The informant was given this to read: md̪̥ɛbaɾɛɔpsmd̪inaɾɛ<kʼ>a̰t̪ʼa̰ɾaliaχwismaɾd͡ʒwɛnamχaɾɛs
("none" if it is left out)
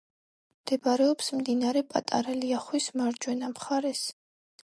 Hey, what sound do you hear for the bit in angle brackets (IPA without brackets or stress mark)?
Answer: pʼ